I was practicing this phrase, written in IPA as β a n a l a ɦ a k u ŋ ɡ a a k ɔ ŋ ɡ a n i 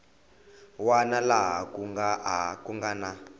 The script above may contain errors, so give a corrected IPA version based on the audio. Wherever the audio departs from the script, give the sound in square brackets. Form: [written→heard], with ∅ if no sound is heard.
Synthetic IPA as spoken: [β→w] a n a l a ɦ a k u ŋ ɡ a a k [ɔ→u] ŋ ɡ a n [i→a]